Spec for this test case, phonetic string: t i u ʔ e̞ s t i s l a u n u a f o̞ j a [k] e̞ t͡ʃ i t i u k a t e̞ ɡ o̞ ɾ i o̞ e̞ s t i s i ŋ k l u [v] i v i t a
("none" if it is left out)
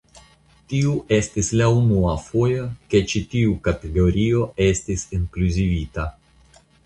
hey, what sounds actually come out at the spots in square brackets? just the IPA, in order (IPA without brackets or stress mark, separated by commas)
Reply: k, z